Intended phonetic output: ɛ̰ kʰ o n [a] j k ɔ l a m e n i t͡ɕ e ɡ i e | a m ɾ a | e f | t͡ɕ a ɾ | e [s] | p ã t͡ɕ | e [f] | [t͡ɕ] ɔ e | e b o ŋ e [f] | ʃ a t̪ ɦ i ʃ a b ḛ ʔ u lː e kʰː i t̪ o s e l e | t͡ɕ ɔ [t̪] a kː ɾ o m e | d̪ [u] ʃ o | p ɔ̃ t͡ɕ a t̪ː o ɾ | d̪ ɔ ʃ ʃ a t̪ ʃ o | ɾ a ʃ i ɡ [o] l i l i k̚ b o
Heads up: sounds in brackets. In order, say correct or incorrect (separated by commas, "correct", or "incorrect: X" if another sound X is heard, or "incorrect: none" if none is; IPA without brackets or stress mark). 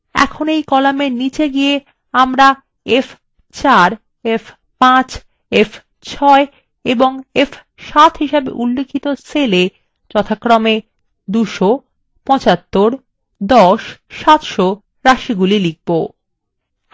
incorrect: e, incorrect: f, correct, incorrect: t͡ɕʰ, correct, incorrect: t̪ʰ, correct, incorrect: u